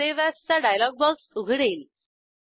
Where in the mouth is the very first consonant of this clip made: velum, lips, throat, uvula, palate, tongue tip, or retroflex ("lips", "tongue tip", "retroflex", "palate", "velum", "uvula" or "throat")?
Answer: lips